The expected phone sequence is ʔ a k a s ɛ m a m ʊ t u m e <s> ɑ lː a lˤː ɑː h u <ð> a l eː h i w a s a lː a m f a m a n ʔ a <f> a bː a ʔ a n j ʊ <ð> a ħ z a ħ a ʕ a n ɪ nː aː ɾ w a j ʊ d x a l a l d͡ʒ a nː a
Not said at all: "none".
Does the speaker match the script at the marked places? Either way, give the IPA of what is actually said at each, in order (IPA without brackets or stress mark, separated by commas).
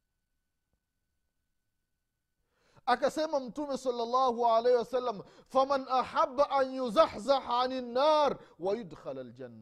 s, ʕ, ħ, z